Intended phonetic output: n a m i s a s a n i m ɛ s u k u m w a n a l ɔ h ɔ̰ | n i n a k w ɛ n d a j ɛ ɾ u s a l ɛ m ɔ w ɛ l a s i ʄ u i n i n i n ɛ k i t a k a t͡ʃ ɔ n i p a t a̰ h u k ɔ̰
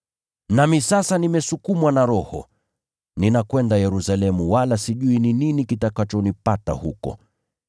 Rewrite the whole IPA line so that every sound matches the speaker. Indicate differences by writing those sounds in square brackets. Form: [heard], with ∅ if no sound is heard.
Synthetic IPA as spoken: n a m i s a s a n i m ɛ s u k u m w a n a [ɾ] ɔ h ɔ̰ | n i n a k w ɛ n d a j ɛ ɾ u s a l ɛ m [u] w [a] l a s i ʄ u i n i n i n [i] k i t a k a t͡ʃ ɔ n i p a t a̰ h u k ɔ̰